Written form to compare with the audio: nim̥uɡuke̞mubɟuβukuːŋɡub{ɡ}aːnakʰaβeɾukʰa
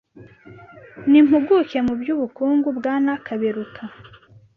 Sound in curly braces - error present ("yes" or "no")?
no